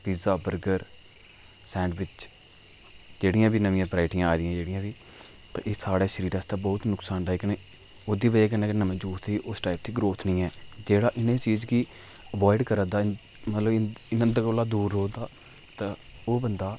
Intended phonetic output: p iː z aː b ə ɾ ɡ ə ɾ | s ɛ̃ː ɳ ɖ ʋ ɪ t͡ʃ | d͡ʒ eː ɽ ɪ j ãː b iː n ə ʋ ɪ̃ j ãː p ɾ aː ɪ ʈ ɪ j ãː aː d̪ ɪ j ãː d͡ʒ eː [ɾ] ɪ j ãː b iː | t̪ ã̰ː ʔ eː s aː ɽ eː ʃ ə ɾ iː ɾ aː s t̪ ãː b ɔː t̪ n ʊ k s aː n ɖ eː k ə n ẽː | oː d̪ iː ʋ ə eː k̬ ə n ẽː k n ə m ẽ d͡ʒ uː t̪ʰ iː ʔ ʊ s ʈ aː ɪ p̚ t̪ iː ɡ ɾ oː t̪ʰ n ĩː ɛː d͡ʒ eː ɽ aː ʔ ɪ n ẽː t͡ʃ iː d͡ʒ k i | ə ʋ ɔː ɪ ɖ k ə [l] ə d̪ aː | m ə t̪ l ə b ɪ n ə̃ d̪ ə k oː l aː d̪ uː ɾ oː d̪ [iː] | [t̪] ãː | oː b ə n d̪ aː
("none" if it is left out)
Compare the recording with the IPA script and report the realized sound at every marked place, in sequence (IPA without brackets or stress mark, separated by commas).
ɽ, ɾ, aː, t̪